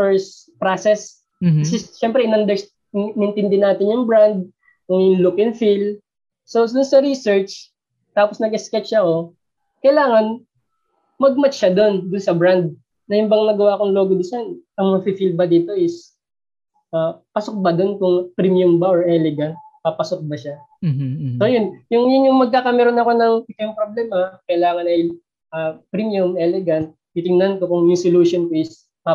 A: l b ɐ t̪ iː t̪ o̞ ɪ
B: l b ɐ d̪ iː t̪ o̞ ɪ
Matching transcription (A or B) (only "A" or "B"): B